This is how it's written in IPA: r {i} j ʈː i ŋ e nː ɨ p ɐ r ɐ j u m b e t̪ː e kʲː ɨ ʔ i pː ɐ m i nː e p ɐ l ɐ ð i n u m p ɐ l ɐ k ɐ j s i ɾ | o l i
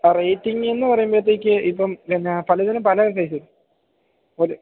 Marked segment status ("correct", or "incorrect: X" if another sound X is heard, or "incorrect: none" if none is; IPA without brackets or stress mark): incorrect: e